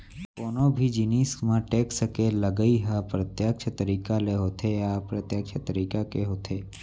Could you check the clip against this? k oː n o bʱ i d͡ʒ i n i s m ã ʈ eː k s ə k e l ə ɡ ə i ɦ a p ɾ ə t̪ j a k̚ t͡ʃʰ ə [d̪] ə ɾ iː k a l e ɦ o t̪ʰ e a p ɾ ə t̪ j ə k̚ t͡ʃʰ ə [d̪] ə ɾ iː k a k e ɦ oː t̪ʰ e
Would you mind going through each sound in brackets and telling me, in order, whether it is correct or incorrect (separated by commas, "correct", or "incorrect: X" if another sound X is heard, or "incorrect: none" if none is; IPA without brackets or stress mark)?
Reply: incorrect: t̪, incorrect: t̪